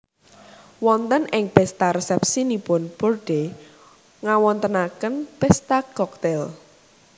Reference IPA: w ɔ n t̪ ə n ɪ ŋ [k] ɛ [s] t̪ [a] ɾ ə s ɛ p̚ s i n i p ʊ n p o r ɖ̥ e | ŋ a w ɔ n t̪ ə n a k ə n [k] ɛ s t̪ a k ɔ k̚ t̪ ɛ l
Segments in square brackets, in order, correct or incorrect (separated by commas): incorrect, correct, correct, incorrect